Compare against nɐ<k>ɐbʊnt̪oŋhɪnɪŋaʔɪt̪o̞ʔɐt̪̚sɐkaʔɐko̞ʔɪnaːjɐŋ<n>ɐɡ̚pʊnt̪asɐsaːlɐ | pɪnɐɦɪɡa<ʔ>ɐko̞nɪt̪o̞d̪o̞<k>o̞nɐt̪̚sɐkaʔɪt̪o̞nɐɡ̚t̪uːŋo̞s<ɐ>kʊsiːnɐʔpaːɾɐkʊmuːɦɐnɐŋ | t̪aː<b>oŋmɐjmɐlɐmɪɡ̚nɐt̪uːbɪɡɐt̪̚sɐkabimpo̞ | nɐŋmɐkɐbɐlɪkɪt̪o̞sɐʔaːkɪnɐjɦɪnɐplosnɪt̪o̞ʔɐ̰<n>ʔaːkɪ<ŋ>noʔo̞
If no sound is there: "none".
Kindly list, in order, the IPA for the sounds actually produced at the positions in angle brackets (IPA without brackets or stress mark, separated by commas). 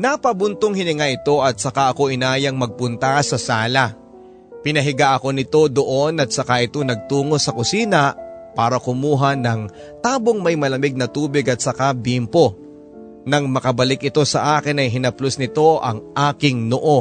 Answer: p, m, ʔ, ʔ, ɐ, b, ŋ, ŋ